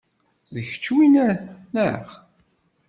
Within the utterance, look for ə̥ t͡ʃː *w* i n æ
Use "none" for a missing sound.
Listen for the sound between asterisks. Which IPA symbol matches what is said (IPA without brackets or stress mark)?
w